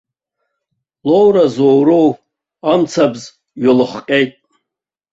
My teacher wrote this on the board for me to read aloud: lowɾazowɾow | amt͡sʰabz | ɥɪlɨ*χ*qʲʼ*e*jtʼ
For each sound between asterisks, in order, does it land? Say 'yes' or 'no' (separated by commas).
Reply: yes, yes